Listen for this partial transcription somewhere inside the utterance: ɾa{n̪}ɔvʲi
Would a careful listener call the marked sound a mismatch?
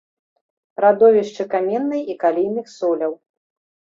yes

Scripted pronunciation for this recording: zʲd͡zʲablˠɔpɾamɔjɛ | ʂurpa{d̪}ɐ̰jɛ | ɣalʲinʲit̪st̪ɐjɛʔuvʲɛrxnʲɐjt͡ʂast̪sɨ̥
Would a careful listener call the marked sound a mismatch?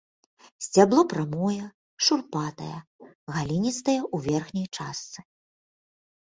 yes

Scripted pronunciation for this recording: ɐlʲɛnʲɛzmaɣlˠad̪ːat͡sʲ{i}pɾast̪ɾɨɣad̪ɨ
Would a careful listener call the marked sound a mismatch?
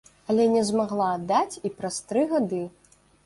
no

